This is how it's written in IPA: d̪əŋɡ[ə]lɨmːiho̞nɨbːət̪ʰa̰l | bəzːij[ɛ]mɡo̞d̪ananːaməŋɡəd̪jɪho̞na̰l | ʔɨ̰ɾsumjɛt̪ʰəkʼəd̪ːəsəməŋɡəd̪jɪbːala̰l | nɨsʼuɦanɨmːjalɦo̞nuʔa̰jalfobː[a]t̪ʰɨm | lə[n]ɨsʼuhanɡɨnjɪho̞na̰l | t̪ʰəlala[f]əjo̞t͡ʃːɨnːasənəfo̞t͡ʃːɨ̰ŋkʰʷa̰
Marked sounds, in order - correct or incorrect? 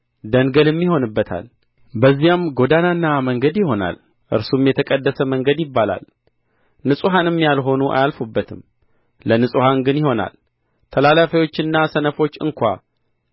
correct, incorrect, incorrect, correct, correct

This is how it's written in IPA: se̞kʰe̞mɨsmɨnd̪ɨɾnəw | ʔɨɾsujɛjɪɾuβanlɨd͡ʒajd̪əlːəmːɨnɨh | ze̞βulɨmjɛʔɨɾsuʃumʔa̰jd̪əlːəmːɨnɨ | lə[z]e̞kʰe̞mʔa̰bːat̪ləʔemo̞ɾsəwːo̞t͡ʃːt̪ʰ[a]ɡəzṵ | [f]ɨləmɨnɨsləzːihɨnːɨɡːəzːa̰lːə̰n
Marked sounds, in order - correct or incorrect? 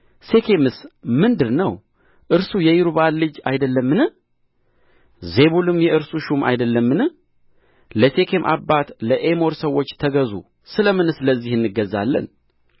incorrect, incorrect, incorrect

